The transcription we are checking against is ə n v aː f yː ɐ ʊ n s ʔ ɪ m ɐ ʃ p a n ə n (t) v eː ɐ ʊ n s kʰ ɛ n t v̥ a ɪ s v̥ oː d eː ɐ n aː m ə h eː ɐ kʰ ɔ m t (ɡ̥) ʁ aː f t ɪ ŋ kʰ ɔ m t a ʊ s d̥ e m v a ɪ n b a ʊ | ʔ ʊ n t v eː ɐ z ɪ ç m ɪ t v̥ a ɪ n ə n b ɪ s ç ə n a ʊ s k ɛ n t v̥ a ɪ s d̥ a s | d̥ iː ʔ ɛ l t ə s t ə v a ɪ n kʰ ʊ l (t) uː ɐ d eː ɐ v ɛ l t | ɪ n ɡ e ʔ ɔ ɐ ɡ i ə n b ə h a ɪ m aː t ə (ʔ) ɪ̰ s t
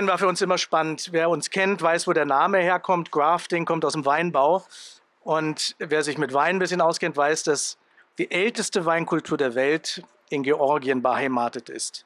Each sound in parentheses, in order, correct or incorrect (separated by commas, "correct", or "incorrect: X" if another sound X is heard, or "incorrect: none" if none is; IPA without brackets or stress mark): correct, correct, incorrect: tʰ, incorrect: t